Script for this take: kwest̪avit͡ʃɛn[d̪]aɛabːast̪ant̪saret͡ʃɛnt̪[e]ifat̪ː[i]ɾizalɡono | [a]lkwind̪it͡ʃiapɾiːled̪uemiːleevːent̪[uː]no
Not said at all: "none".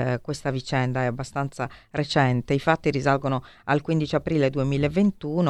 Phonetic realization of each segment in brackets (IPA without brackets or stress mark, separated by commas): d̪, e, i, a, uː